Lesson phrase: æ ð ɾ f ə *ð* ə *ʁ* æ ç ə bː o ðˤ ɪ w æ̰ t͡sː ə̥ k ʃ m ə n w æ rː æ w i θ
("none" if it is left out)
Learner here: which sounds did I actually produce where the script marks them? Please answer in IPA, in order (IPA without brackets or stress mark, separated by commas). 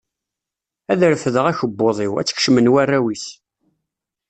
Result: ð, ʁ